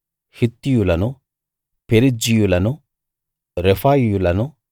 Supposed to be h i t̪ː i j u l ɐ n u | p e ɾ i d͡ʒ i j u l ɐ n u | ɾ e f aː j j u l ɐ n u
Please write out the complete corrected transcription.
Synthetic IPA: h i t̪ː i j u l ɐ n u | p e ɾ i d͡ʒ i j u l ɐ n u | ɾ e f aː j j u l ɐ n u